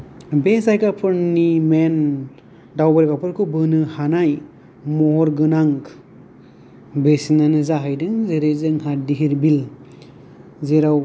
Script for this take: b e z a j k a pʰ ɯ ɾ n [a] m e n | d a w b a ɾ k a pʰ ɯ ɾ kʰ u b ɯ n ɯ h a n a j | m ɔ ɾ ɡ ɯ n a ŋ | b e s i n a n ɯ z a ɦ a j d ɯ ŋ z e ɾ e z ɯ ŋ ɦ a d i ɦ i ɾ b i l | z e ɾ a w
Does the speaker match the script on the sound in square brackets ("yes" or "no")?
no